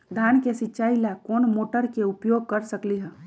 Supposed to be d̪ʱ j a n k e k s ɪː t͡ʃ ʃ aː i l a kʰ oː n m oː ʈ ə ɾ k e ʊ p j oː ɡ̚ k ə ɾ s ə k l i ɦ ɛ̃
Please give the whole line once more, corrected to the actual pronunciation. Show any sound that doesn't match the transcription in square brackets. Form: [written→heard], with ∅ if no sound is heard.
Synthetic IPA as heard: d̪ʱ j a n k e [k→∅] s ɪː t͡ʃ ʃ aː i l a [kʰ→k] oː n m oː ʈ ə ɾ k e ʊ p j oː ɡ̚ k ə ɾ s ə k l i ɦ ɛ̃